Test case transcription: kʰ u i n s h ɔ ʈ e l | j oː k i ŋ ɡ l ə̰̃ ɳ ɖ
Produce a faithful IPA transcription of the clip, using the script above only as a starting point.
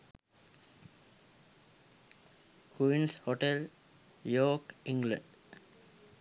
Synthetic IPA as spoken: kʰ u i n s h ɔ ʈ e l | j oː k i ŋ ɡ l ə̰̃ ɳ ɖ